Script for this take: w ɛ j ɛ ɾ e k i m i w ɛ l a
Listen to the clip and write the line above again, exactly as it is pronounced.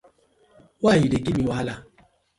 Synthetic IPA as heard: w a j i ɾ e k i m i w a l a

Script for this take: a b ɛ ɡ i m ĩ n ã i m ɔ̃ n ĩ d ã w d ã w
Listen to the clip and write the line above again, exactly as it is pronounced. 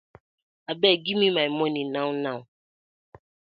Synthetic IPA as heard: a b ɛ ɡ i m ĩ m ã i m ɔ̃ n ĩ n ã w n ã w

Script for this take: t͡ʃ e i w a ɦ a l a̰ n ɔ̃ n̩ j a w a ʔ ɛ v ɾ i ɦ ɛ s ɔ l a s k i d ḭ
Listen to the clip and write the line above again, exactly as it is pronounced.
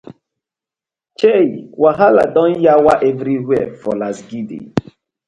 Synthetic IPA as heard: t͡ʃ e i w a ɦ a l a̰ d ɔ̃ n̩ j a w a ʔ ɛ v ɾ i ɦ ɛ f ɔ l a s ɡ i d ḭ

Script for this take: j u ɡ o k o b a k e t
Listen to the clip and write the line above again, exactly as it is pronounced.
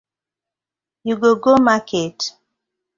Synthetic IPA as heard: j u ɡ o ɡ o m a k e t

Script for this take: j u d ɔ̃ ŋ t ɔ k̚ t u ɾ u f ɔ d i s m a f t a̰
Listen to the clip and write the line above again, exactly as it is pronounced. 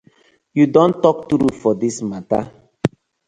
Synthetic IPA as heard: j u d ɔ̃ n t ɔ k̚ t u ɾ u f ɔ d i s m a t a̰

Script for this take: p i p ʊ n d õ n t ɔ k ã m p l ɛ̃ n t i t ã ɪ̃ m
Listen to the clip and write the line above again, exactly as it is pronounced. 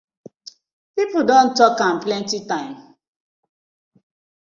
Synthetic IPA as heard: p i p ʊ d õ n t ɔ k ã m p l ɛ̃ n t i t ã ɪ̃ m

